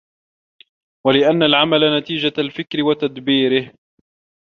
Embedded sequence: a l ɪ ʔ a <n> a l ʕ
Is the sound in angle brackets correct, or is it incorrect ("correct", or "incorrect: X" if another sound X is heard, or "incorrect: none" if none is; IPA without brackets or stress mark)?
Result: incorrect: nː